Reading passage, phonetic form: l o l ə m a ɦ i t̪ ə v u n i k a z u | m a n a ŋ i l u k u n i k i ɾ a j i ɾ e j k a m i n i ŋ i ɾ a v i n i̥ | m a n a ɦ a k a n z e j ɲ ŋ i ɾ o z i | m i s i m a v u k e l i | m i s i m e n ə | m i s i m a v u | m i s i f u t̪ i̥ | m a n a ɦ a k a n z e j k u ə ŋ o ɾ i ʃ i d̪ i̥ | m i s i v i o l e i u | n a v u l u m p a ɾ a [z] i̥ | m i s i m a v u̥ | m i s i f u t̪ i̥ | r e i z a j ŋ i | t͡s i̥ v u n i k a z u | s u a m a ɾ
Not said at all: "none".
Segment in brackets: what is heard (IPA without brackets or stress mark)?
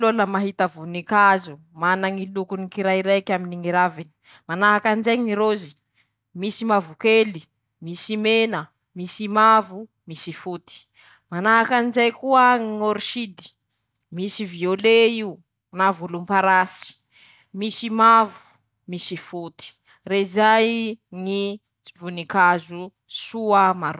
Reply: s